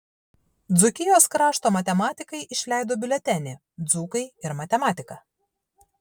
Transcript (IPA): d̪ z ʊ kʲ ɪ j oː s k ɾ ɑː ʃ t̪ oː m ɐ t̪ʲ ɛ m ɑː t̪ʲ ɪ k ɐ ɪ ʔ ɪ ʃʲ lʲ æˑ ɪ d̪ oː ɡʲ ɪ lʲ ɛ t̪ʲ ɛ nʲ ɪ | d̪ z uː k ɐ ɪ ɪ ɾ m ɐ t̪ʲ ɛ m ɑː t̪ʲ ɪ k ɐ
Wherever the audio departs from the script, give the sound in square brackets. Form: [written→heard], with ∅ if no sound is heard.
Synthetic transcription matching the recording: d̪ z ʊ kʲ ɪ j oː s k ɾ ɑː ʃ t̪ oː m ɐ t̪ʲ ɛ m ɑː t̪ʲ ɪ k ɐ ɪ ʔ ɪ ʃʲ lʲ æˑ ɪ d̪ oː [ɡʲ→bʲ] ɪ lʲ ɛ t̪ʲ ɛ nʲ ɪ | d̪ z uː k ɐ ɪ ɪ ɾ m ɐ t̪ʲ ɛ m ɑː t̪ʲ ɪ k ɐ

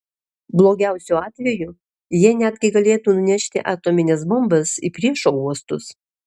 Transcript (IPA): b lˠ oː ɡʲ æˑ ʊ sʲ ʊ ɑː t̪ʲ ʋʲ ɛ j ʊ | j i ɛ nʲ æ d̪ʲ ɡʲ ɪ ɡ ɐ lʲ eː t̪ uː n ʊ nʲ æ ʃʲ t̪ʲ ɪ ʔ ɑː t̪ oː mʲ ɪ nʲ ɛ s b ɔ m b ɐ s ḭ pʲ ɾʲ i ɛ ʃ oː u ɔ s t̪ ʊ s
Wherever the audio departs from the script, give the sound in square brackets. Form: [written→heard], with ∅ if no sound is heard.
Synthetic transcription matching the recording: b lˠ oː ɡʲ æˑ ʊ sʲ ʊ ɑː t̪ʲ ʋʲ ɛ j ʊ | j i ɛ nʲ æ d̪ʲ ɡʲ ɪ ɡ ɐ lʲ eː t̪ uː n ʊ nʲ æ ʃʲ t̪ʲ ɪ ʔ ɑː t̪ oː mʲ ɪ nʲ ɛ s b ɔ m b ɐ s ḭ pʲ ɾʲ i ɛ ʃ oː u ɔ s t̪ ʊ s

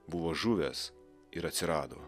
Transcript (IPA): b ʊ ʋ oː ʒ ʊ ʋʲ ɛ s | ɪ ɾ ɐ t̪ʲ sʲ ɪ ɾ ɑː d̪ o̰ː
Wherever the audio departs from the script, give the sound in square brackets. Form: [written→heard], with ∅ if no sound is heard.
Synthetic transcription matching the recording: b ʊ ʋ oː ʒ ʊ ʋʲ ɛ s | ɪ ɾ ɐ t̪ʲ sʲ ɪ ɾ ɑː d̪ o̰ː

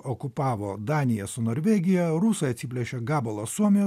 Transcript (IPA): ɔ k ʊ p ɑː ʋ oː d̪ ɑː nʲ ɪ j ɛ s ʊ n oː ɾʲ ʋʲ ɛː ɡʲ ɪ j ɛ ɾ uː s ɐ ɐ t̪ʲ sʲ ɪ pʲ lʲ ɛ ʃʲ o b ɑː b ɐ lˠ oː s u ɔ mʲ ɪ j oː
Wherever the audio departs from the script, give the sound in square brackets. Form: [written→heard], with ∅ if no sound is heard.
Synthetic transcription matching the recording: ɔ k ʊ p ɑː ʋ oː d̪ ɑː nʲ ɪ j ɛ s ʊ n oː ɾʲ ʋʲ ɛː ɡʲ ɪ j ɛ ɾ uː s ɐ ɐ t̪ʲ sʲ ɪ pʲ lʲ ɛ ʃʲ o [b→ɡ] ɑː b ɐ lˠ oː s u ɔ mʲ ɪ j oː

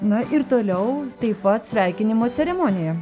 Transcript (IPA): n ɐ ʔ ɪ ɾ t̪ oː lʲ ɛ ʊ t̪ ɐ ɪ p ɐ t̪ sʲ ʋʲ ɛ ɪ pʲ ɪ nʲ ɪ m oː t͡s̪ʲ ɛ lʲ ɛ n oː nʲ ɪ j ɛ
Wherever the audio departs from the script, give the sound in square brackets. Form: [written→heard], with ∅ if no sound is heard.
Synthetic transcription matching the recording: n ɐ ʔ ɪ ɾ t̪ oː lʲ ɛ ʊ t̪ ɐ ɪ p ɐ t̪ sʲ ʋʲ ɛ ɪ [pʲ→kʲ] ɪ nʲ ɪ m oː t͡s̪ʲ ɛ [lʲ→ɾʲ] ɛ [n→m] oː nʲ ɪ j ɛ

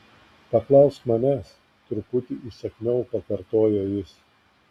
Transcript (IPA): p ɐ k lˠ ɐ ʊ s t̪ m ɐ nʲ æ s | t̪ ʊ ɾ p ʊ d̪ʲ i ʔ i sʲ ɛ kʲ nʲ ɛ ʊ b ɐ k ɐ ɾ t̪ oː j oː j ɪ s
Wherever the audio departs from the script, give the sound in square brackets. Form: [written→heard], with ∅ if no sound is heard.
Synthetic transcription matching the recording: p ɐ k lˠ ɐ ʊ s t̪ m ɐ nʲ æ s | t̪ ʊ ɾ p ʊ [d̪ʲ→t̪ʲ] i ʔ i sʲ ɛ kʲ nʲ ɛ ʊ [b→p] ɐ k ɐ ɾ t̪ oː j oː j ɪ s

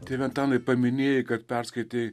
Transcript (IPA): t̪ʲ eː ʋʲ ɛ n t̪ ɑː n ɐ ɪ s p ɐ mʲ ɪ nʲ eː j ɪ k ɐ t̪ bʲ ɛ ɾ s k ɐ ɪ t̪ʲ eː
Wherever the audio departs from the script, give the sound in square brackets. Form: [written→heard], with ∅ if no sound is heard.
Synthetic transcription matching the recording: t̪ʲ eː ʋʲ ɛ n t̪ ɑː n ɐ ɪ [s→∅] p ɐ mʲ ɪ nʲ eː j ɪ k ɐ t̪ [bʲ→pʲ] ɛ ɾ s k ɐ ɪ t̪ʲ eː

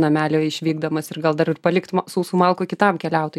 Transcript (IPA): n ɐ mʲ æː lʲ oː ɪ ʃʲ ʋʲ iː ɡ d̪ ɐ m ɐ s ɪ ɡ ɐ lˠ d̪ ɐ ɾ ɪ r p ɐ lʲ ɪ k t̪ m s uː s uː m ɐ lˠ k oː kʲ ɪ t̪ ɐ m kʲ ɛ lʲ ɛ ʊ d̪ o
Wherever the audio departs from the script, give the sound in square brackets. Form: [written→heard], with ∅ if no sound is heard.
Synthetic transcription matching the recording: n ɐ mʲ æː lʲ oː ɪ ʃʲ ʋʲ iː ɡ d̪ ɐ m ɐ s ɪ ɡ ɐ lˠ d̪ ɐ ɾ ɪ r p ɐ lʲ ɪ k t̪ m s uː s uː m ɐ lˠ k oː kʲ ɪ t̪ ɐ m kʲ ɛ lʲ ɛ ʊ [d̪→t̪] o

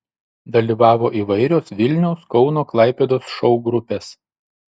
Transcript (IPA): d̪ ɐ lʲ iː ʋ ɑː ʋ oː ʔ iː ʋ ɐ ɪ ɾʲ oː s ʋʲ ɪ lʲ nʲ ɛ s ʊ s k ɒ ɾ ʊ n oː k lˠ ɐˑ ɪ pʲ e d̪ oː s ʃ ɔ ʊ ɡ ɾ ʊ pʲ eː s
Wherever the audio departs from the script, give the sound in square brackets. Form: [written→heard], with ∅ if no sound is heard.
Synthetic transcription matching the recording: d̪ ɐ lʲ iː ʋ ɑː ʋ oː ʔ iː ʋ ɐ ɪ ɾʲ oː s ʋʲ ɪ lʲ nʲ ɛ [s→∅] ʊ s k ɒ [ɾ→∅] ʊ n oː k lˠ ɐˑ ɪ pʲ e d̪ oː s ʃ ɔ ʊ ɡ ɾ ʊ pʲ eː s

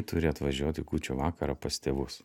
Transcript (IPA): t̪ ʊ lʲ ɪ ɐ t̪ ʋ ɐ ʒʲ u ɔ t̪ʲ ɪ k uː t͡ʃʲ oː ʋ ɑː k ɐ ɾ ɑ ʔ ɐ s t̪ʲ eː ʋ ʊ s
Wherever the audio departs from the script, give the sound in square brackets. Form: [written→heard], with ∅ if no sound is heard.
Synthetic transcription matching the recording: t̪ ʊ [lʲ→ɾʲ] ɪ ɐ t̪ ʋ ɐ ʒʲ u ɔ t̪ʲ ɪ k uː t͡ʃʲ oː ʋ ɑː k ɐ ɾ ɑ [ʔ→p] ɐ s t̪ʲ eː ʋ ʊ s

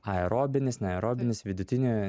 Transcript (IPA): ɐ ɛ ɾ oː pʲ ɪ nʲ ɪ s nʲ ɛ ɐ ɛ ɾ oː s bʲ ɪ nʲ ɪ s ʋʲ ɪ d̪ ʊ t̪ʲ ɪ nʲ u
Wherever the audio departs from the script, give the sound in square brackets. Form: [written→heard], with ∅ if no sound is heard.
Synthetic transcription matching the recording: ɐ ɛ ɾ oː [pʲ→bʲ] ɪ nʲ ɪ s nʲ ɛ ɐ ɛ ɾ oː [s→∅] bʲ ɪ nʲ ɪ s ʋʲ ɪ d̪ ʊ t̪ʲ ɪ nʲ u

